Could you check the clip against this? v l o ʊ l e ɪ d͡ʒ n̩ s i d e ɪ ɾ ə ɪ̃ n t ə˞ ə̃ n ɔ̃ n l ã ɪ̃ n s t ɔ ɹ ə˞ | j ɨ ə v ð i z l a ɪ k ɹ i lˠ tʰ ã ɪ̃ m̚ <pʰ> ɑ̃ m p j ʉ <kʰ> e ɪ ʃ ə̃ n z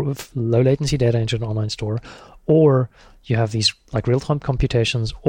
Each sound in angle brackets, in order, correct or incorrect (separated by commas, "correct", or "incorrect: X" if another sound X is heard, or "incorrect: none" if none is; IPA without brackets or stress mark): incorrect: kʰ, incorrect: tʰ